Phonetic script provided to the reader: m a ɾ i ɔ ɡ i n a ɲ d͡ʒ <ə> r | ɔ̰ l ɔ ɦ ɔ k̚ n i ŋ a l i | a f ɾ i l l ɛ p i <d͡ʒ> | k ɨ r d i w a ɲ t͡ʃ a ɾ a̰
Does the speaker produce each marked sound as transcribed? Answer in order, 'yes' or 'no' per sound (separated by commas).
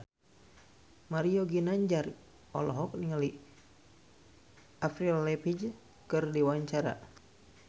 no, yes